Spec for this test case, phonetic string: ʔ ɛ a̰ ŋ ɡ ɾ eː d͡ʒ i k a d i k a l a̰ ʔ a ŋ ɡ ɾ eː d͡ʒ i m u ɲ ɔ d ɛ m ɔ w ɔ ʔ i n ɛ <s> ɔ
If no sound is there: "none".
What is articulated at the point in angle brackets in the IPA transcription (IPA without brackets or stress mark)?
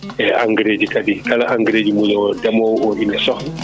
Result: s